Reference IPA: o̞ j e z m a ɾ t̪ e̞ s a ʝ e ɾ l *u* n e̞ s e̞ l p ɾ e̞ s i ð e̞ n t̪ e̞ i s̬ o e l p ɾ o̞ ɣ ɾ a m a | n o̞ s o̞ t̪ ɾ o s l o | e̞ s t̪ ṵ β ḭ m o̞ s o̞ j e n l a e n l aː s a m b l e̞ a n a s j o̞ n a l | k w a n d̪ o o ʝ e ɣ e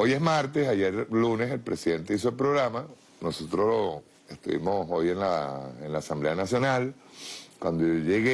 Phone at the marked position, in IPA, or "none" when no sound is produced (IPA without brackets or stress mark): u